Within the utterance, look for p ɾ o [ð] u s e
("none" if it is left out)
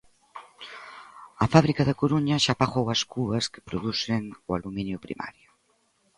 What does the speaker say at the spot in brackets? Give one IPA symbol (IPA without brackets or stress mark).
ð